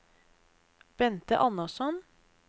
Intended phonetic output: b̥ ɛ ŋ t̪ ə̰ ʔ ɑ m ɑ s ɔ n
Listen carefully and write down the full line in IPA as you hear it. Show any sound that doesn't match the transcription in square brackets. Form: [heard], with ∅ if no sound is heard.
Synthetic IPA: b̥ ɛ [n] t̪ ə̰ ʔ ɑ [n] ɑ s ɔ n